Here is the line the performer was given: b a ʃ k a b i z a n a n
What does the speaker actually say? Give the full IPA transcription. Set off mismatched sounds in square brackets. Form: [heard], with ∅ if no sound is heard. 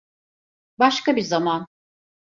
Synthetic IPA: b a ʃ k a b i z a [m] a n